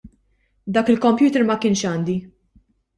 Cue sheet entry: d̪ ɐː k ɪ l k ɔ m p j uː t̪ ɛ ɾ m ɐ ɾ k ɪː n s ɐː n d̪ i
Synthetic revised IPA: d̪ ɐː k ɪ l k ɔ m p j uː t̪ ɛ ɾ m ɐ k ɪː n ʃ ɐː n d̪ i

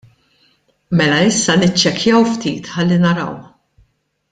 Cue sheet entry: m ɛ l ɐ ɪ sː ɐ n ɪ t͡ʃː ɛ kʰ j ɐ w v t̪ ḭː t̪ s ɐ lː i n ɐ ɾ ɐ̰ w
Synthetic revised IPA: m ɛ l ɐ ɪ sː ɐ n ɪ t͡ʃː ɛ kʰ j ɐ w f t̪ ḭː t̪ ħ ɐ lː i n ɐ ɾ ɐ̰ w

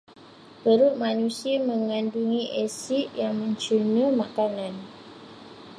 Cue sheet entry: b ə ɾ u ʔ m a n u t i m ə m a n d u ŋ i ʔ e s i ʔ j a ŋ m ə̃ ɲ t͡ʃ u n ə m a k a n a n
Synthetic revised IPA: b ə ɾ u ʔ m a n u s i m ə ŋ a n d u ŋ i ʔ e s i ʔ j a ŋ m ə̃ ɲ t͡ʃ u n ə m a k a n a n

